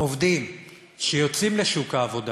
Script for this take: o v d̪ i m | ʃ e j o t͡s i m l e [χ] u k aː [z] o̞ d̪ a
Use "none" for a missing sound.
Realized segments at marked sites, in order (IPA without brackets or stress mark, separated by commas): ʃ, v